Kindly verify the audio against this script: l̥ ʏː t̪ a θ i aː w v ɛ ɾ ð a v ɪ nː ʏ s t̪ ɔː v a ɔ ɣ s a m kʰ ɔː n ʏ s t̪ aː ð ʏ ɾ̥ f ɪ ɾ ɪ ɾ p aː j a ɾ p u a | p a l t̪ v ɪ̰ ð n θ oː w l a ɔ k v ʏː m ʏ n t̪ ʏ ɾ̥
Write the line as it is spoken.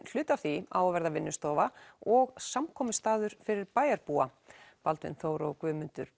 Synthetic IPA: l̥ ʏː t̪ a θ i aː w v ɛ ɾ ð a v ɪ nː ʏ s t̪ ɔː v a ɔ ɣ s a m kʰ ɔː m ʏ s t̪ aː ð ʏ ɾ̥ f ɪ ɾ ɪ ɾ p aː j a ɾ p u a | p a l t̪ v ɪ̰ n θ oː w ɾ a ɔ k v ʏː m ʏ n t̪ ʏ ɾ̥